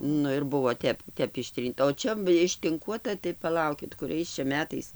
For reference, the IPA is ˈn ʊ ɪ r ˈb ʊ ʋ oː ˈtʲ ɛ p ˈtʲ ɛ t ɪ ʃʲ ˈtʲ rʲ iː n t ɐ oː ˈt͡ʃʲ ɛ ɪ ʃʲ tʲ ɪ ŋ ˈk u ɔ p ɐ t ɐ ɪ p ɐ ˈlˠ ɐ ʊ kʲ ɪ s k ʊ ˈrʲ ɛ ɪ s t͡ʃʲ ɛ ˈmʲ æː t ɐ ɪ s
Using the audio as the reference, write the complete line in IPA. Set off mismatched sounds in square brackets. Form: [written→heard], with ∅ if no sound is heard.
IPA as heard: ˈn ʊ ɪ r ˈb ʊ ʋ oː ˈtʲ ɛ p ˈtʲ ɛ [t→p] ɪ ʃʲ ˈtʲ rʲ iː n t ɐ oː ˈt͡ʃʲ ɛ ɪ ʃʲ tʲ ɪ ŋ ˈk u ɔ [p→t] ɐ t ɐ ɪ p ɐ ˈlˠ ɐ ʊ kʲ ɪ [s→t] k ʊ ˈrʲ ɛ ɪ s t͡ʃʲ ɛ ˈmʲ æː t ɐ ɪ s